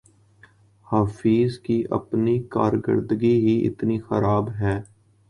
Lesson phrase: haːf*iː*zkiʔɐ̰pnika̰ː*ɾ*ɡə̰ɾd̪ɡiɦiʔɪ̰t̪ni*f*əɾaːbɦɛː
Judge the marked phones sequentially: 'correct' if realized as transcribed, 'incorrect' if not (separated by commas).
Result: correct, correct, incorrect